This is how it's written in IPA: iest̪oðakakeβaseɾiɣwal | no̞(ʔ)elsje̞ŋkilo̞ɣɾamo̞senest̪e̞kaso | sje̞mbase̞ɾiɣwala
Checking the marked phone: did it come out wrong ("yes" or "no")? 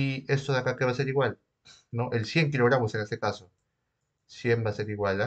no